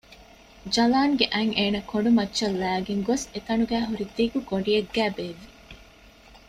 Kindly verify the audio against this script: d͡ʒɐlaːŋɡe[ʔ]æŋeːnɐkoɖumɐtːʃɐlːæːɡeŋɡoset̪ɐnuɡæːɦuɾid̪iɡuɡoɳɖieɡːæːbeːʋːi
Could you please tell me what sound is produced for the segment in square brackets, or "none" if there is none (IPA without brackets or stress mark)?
ʔ